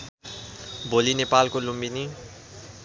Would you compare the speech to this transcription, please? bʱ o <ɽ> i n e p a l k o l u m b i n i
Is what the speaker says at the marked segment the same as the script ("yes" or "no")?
no